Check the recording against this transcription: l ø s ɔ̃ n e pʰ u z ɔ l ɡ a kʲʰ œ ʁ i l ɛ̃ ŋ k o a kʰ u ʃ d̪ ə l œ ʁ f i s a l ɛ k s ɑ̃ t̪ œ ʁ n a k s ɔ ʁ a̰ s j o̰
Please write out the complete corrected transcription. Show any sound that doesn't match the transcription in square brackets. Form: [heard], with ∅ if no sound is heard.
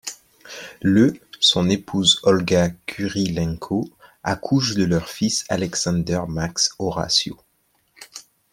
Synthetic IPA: l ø s ɔ̃ n e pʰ u z ɔ l ɡ a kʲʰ [y] ʁ i l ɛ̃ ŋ [kʰ] o a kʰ u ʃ d̪ ə l œ ʁ f i s a l ɛ k s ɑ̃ [d̪] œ ʁ [m] a k s ɔ ʁ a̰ s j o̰